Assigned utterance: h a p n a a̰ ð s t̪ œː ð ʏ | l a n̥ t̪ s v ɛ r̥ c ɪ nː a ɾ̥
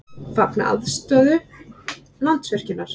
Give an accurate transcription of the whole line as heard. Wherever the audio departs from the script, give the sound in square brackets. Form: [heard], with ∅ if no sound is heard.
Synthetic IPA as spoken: [f] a p n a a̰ ð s t̪ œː ð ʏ | l a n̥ t̪ s v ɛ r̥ c ɪ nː a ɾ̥